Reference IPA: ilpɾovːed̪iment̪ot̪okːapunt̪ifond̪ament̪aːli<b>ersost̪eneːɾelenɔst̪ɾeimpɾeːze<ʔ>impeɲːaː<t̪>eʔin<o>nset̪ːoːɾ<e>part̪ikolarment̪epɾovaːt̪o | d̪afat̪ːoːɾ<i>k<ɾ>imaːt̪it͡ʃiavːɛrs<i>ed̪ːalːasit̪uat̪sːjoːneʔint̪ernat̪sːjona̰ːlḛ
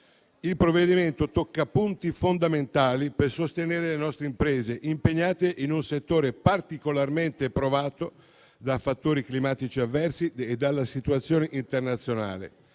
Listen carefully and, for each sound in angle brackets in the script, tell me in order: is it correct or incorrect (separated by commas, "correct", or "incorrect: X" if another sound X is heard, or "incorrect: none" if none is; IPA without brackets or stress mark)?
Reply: incorrect: p, correct, correct, incorrect: u, correct, correct, incorrect: l, correct